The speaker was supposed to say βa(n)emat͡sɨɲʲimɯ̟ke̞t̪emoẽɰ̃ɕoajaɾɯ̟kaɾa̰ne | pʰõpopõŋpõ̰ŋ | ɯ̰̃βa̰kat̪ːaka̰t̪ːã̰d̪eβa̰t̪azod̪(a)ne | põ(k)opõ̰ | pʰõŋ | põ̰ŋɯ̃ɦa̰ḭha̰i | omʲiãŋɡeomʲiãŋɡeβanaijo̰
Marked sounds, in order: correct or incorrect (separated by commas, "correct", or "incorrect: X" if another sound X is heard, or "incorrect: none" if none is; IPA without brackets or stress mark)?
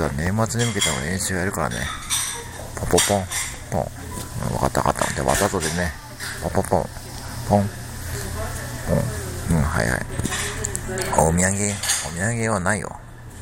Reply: correct, incorrect: e, incorrect: p